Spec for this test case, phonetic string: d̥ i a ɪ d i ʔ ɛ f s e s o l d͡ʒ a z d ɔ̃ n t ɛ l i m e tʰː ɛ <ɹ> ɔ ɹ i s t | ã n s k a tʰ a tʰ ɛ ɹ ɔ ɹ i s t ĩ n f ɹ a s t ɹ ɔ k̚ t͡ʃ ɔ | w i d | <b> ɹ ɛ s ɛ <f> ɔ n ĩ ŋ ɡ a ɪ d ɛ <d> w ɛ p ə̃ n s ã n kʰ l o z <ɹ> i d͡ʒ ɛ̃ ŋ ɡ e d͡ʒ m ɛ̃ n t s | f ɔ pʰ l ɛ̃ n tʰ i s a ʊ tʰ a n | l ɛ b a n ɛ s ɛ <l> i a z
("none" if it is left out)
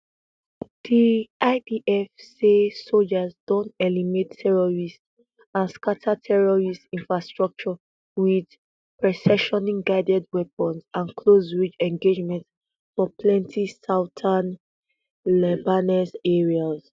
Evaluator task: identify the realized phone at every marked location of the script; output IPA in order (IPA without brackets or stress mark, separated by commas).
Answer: ɹ, p, ʃ, d, ɹ, ɹ